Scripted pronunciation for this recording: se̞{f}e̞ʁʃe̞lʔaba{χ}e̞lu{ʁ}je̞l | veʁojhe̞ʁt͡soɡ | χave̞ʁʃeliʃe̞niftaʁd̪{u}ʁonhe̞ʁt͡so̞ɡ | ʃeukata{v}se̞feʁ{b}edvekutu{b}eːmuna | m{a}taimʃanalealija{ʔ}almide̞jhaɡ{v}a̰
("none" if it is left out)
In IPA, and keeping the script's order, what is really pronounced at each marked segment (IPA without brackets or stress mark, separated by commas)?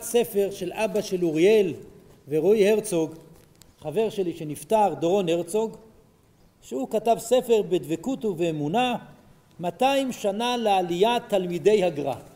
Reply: f, ʃ, ʁ, o, v, b, v, a, t, ʁ